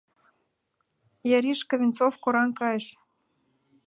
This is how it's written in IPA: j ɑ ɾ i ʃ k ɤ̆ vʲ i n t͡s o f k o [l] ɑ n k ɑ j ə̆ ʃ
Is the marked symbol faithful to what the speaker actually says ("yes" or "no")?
no